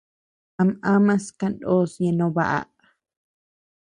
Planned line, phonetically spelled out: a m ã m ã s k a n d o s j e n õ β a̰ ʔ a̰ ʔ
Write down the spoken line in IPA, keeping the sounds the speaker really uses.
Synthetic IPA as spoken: a m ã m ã s k a n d o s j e n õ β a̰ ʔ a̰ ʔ